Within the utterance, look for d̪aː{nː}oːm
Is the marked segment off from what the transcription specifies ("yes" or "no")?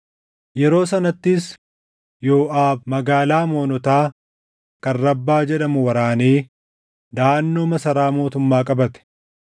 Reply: no